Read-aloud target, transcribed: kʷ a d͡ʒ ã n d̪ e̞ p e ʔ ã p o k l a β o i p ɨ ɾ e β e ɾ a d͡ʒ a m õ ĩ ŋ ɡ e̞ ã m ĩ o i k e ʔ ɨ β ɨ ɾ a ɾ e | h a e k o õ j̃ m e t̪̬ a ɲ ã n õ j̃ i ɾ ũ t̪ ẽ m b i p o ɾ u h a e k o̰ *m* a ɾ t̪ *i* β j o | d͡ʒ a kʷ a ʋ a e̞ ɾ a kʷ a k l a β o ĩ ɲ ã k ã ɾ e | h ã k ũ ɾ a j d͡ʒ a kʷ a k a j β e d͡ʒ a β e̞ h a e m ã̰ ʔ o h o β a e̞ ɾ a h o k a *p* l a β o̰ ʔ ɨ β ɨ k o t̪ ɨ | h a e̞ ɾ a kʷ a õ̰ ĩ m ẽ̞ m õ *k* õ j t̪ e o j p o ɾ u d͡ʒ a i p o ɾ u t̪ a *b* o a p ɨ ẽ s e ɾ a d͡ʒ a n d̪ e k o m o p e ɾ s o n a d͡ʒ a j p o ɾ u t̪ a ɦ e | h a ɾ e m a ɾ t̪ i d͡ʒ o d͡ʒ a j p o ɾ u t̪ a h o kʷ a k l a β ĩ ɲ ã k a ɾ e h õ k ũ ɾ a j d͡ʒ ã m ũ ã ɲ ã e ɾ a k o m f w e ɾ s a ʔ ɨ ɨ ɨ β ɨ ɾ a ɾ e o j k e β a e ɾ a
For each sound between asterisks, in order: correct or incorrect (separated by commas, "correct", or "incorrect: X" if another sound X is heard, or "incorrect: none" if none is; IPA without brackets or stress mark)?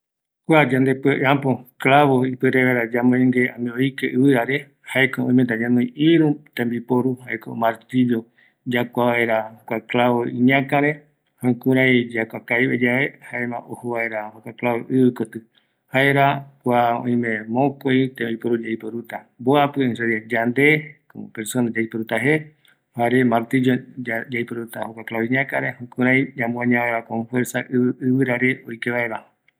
correct, correct, incorrect: k, correct, correct